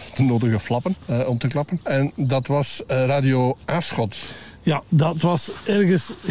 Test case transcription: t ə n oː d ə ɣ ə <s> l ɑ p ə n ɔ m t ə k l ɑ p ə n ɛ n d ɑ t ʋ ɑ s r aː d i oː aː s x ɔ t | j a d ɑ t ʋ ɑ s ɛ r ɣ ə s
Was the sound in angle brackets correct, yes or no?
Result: no